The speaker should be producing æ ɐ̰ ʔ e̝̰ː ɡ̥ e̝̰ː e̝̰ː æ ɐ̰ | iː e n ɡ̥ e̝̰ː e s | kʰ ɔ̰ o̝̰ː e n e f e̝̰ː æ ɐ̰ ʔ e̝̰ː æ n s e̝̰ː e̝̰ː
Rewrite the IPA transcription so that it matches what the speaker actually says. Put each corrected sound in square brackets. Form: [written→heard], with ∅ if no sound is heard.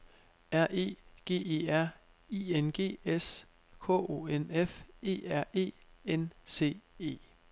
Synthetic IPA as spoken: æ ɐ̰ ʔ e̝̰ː ɡ̥ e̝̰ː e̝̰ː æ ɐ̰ | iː e n ɡ̥ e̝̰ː e s | kʰ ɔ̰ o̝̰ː e n e f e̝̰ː æ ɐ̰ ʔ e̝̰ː [æ→e] n s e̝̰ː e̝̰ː